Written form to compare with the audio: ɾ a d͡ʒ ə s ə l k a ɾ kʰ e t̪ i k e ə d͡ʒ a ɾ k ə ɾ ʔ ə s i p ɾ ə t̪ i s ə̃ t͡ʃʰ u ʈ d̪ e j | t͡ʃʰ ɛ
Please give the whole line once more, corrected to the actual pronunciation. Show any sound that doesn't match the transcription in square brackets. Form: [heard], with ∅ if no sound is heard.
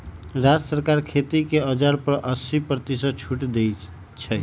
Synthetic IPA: ɾ a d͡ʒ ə s ə [ɾ] k a ɾ kʰ e t̪ i k e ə d͡ʒ a ɾ [p] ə ɾ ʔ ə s i p ɾ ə t̪ i s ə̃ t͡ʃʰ u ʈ d̪ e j | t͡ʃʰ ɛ

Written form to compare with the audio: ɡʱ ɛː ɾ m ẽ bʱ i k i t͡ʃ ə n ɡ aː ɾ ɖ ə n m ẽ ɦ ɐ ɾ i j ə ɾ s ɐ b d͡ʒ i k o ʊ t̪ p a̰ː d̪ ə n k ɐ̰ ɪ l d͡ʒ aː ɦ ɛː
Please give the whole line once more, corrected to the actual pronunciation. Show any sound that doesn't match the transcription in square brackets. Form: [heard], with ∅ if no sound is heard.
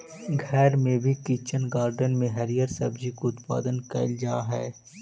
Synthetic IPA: ɡʱ ɛː ɾ m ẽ bʱ i k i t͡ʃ ə n ɡ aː ɾ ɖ ə n m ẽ ɦ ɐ ɾ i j ə ɾ s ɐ b d͡ʒ i k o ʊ t̪ p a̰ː d̪ ə n k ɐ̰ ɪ l d͡ʒ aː ɦ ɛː

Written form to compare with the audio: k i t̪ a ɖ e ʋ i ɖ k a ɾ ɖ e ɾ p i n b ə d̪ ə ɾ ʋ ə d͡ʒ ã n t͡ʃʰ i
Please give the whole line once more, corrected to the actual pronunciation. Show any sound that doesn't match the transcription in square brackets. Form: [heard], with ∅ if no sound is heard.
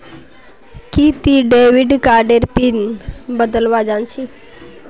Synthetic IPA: k i t̪ [i] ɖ e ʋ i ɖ k a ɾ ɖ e ɾ p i n b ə d̪ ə [l] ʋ [a] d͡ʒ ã n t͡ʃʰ i

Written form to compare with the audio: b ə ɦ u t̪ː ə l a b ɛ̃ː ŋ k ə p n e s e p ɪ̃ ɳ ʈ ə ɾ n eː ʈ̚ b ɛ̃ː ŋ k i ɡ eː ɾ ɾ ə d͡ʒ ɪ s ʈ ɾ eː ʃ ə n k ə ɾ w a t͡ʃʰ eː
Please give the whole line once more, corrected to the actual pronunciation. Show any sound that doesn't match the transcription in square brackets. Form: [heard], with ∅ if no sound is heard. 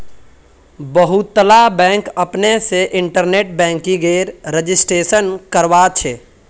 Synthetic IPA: b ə ɦ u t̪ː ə l a b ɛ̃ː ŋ k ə p n e s e [ʔ] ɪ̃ ɳ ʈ ə ɾ n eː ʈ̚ b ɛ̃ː ŋ k i ɡ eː ɾ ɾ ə d͡ʒ ɪ s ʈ ɾ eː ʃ ə n k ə ɾ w a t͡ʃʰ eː

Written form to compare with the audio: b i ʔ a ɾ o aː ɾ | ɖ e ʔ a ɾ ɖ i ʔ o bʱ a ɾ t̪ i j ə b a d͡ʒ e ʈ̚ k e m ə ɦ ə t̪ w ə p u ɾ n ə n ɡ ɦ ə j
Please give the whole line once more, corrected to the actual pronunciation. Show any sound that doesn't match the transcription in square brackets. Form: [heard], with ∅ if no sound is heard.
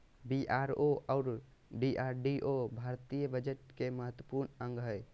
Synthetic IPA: b i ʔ a ɾ o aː ɾ | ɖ [i] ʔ a ɾ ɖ i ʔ o bʱ a ɾ t̪ i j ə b [ə] d͡ʒ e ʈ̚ k e m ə ɦ ə t̪ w ə p u ɾ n ə [ŋ] ɡ ɦ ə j

